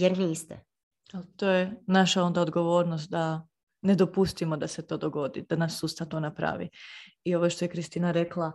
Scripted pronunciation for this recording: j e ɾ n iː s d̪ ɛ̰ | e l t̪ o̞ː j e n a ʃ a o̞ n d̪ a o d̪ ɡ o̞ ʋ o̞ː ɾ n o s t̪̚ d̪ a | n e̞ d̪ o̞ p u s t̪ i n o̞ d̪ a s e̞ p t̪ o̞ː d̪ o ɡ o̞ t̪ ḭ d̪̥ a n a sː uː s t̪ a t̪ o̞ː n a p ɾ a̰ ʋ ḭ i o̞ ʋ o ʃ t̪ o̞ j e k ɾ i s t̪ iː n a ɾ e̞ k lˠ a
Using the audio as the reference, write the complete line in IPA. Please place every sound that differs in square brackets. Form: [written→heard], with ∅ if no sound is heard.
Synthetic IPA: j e ɾ n iː s [d̪→t̪] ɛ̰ | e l t̪ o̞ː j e n a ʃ a o̞ n d̪ a o d̪ ɡ o̞ ʋ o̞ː ɾ n o s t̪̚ d̪ a | n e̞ d̪ o̞ p u s t̪ i [n→m] o̞ d̪ a s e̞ [p→∅] t̪ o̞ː d̪ o ɡ o̞ [t̪→d̪] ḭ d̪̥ a n a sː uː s t̪ a t̪ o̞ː n a p ɾ a̰ ʋ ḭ i o̞ ʋ o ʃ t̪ o̞ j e k ɾ i s t̪ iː n a ɾ e̞ k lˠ a